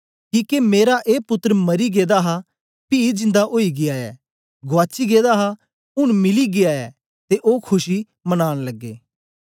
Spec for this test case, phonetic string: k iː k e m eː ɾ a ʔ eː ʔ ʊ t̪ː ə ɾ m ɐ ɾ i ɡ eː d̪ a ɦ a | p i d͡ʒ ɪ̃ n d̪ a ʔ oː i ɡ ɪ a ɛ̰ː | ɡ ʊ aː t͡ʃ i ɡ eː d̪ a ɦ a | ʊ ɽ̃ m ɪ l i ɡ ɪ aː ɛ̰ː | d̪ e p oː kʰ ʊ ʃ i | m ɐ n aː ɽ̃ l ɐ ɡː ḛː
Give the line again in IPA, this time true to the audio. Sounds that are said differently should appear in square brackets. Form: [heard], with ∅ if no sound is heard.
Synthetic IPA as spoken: k iː k e m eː ɾ a ʔ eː [p] ʊ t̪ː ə ɾ m ɐ ɾ i ɡ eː d̪ a ɦ a | p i d͡ʒ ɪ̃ n d̪ a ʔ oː i ɡ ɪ a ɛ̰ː | ɡ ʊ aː t͡ʃ i ɡ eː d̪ a ɦ a | ʊ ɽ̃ m ɪ l i ɡ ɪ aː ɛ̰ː | [t̪] e [ʔ] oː kʰ ʊ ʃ i | m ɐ n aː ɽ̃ l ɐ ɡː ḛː